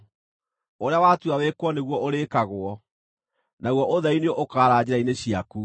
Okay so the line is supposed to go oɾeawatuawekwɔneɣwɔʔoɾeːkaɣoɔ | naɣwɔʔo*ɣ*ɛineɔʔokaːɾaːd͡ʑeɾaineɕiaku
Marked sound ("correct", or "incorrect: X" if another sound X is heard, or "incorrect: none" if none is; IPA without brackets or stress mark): incorrect: ð